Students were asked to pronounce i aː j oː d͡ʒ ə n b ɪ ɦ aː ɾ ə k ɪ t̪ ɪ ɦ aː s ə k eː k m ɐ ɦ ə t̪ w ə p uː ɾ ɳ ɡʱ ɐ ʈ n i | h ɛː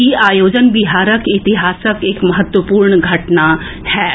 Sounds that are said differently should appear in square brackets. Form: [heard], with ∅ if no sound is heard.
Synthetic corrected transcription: i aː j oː d͡ʒ ə n b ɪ ɦ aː ɾ ə k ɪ t̪ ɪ ɦ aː s ə k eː k m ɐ ɦ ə t̪ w ə p uː ɾ ɳ ɡʱ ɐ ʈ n [a] | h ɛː